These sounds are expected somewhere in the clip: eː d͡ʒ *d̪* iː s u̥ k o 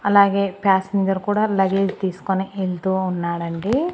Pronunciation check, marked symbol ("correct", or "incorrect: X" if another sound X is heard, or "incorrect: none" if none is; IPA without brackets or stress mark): incorrect: t̪